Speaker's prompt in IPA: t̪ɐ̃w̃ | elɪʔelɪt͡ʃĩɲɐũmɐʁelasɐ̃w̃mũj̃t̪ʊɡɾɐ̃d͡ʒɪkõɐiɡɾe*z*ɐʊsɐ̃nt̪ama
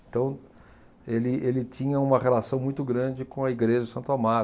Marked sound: incorrect: ʒ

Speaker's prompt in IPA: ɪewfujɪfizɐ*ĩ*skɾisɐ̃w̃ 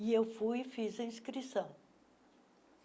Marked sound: correct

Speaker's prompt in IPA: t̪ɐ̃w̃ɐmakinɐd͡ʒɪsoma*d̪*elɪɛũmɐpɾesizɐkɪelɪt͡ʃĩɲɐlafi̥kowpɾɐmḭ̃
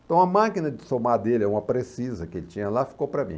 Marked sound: correct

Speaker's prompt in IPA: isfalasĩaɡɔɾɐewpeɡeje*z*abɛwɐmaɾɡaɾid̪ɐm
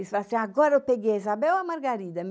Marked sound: correct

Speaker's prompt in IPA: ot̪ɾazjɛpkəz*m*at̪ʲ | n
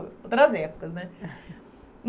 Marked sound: incorrect: n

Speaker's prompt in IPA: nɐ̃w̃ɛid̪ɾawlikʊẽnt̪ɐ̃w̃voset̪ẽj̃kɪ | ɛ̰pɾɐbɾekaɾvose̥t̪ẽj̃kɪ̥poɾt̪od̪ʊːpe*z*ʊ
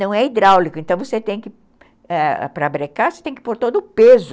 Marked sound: correct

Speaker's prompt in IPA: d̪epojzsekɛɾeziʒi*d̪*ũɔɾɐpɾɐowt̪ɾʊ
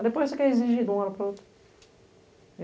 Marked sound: correct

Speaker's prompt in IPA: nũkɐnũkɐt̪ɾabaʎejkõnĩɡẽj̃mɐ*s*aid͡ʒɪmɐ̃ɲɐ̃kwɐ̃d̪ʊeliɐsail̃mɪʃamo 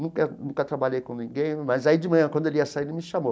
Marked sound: incorrect: z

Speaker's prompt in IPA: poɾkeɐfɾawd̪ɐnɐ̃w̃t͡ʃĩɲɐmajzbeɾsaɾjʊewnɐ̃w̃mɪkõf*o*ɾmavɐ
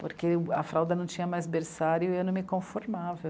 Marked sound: correct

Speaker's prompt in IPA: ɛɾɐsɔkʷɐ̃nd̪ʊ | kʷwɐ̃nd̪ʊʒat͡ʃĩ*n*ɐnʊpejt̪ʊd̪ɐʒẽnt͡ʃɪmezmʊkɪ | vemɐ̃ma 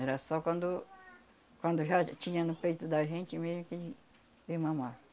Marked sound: incorrect: ɲ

